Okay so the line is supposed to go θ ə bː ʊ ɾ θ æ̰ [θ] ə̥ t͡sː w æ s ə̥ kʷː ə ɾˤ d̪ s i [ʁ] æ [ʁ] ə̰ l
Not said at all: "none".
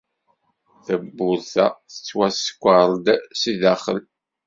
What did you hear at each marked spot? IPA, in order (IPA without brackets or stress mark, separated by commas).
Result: θ, ð, χ